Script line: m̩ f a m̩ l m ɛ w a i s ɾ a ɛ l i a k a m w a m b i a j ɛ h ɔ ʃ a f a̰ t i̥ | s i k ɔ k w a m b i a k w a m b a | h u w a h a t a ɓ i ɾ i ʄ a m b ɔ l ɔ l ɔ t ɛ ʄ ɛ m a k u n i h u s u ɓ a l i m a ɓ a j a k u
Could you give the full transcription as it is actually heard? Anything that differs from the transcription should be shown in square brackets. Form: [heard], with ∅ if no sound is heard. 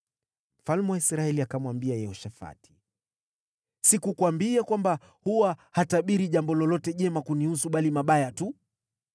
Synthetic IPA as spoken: m̩ f a [∅] l m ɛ w a i s ɾ a ɛ l i a k a m w a m b i a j ɛ h ɔ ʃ a f a̰ t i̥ | s i k [u] k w a m b i a k w a m b a | h u w a h a t a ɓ i ɾ i ʄ a m b ɔ l ɔ l ɔ t ɛ ʄ ɛ m a k u n i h u s u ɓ a l i m a ɓ a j a [t] u